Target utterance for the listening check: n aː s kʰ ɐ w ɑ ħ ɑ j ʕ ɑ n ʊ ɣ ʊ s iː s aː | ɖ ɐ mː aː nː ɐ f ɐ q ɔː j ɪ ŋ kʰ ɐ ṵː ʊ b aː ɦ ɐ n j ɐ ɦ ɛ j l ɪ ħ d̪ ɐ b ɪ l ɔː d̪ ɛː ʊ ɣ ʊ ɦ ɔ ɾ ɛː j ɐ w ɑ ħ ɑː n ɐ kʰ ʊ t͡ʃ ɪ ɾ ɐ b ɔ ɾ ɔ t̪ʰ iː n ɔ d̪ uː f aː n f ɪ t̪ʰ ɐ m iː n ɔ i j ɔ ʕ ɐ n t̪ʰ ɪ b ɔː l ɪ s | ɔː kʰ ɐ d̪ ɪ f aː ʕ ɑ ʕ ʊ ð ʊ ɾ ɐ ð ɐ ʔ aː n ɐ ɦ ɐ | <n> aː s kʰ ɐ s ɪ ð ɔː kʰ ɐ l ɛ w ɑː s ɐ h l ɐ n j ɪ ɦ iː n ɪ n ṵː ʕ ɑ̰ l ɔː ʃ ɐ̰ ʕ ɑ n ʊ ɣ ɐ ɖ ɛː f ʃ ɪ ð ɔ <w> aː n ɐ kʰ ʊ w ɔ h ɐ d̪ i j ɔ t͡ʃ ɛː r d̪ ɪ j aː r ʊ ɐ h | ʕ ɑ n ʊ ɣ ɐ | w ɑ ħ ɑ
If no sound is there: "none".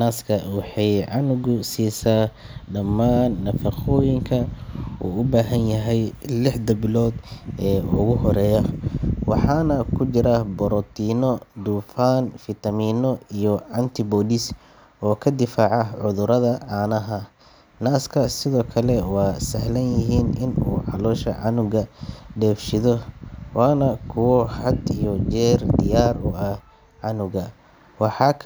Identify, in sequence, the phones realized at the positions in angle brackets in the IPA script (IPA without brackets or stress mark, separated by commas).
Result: n, w